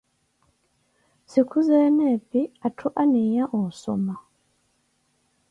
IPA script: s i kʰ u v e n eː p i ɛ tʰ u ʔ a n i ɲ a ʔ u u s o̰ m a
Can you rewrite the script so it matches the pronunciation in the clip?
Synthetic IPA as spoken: s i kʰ u z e n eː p i a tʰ u ʔ a n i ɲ a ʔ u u s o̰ m a

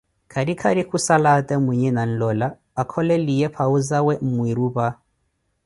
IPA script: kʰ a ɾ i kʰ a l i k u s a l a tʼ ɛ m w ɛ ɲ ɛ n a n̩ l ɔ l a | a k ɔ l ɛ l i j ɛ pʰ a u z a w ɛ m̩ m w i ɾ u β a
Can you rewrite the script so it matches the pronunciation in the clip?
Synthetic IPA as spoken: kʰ a ɾ i kʰ a ɾ i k u s a l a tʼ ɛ m w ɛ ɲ ɛ n a n̩ l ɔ l a | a kʰ ɔ l ɛ l i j ɛ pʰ a u z a w ɛ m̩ m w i ɾ u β a

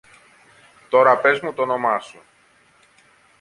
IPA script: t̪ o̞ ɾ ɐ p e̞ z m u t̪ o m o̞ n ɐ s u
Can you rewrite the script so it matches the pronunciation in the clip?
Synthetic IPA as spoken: t̪ o̞ ɾ ɐ p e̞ z m u t̪ o n o̞ m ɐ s u

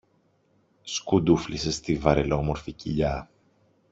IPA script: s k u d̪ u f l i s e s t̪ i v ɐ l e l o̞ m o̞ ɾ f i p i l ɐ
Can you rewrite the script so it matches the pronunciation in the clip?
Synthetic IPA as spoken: s k u d̪ u f l i s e s t̪ i v ɐ ɾ e l o̞ m o̞ ɾ f i c i ʎ ɐ

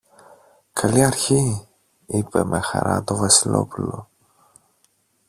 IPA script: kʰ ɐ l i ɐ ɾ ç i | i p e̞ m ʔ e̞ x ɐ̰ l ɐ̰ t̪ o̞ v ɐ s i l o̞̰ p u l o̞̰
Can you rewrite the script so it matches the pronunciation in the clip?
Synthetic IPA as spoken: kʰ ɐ l i ɐ ɾ ç i | i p e̞ m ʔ e̞ x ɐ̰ ɾ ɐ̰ t̪ o̞ v ɐ s i l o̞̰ p u l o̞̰

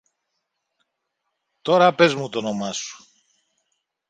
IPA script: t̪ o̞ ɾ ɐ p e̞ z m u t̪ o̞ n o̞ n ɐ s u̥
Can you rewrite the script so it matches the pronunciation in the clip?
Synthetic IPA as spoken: t̪ o̞ ɾ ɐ p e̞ z m u t̪ o̞ n o̞ m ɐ s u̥

